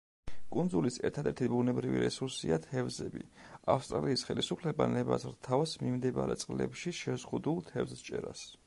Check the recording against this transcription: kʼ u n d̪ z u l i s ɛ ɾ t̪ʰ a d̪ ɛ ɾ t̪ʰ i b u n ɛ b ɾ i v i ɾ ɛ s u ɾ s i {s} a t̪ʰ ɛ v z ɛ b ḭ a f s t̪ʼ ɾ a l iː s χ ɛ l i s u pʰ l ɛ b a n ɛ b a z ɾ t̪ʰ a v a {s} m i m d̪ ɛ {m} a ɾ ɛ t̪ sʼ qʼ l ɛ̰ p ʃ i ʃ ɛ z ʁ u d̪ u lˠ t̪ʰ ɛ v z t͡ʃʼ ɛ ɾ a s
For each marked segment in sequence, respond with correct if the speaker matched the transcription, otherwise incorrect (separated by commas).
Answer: incorrect, correct, incorrect